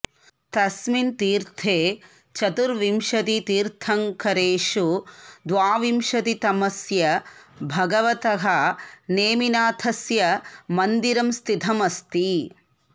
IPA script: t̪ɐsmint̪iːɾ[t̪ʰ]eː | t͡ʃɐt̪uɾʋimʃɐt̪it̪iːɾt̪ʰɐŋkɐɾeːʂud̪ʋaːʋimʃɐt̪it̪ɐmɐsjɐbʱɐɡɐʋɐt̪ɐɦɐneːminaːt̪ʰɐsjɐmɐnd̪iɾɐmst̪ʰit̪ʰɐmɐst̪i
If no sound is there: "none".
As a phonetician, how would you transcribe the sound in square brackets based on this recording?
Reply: t̪ʰ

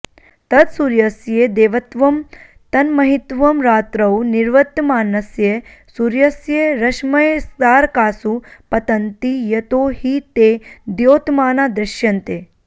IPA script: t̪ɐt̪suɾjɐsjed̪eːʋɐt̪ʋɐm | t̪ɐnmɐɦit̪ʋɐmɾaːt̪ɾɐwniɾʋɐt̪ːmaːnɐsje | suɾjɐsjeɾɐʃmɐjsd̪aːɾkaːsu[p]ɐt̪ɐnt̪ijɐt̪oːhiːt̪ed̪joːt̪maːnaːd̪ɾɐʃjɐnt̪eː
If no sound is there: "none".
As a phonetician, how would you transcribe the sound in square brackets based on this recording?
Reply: p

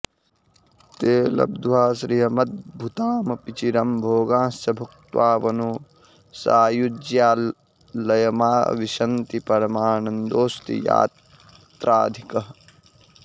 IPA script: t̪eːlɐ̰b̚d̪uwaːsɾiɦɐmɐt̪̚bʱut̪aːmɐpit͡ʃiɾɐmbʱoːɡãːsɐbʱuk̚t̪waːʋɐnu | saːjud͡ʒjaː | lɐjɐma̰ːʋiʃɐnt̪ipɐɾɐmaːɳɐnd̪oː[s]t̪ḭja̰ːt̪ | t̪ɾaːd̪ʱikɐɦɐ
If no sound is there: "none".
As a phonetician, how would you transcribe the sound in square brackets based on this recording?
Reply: s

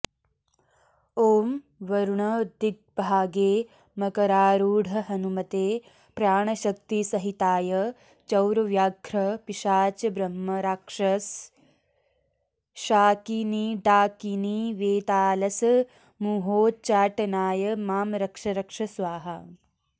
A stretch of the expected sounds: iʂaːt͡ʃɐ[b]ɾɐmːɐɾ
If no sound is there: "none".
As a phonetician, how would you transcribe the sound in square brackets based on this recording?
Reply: b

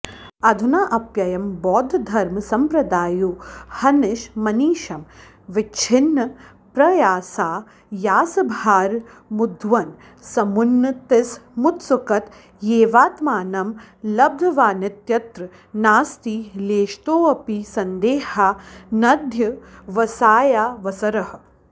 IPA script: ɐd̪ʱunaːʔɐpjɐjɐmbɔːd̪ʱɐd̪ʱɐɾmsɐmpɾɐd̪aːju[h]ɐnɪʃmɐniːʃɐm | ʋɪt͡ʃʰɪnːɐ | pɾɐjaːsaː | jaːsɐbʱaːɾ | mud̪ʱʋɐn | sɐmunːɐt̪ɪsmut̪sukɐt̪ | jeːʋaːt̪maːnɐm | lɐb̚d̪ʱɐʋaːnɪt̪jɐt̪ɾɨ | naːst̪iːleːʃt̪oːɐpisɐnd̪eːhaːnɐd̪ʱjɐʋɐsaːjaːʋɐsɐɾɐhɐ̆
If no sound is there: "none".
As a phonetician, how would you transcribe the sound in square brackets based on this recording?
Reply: h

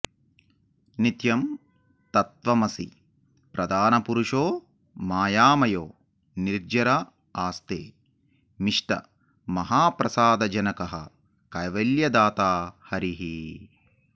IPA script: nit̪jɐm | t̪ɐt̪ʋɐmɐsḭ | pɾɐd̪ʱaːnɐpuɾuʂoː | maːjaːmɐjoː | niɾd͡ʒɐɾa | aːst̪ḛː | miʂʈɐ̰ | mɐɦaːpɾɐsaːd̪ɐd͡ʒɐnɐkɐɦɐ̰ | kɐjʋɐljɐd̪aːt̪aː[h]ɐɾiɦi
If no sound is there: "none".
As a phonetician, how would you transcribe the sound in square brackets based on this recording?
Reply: h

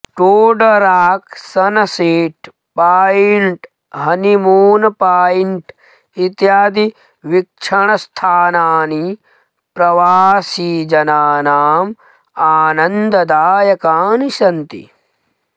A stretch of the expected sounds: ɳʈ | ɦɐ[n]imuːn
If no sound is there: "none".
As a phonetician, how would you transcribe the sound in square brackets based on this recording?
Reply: n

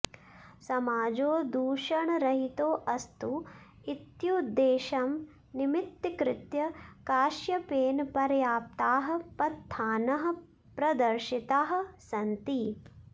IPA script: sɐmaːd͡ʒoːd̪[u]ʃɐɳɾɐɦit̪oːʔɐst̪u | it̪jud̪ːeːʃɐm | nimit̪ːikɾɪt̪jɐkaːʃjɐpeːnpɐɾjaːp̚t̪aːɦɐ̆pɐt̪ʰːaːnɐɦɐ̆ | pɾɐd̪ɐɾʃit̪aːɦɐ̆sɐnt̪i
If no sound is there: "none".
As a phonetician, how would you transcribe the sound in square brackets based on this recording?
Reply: uː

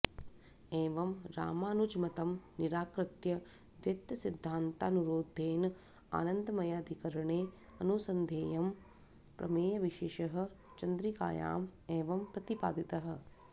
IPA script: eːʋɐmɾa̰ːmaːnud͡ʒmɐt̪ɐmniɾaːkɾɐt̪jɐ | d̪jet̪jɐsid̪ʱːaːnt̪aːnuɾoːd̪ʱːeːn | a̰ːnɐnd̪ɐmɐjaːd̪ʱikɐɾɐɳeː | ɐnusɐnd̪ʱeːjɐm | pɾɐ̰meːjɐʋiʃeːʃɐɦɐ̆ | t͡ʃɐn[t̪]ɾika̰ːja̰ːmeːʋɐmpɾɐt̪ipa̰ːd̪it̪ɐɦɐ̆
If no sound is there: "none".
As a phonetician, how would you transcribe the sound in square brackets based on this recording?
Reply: d̪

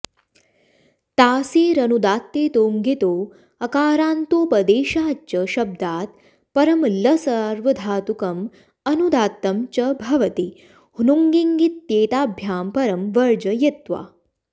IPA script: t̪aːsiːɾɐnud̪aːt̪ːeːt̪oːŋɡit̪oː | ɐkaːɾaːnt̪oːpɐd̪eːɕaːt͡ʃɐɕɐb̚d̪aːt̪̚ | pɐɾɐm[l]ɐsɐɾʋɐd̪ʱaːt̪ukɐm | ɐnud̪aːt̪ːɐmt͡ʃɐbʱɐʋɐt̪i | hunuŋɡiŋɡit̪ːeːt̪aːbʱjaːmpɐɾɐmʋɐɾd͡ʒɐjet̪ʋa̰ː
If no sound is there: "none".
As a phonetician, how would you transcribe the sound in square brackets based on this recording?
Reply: l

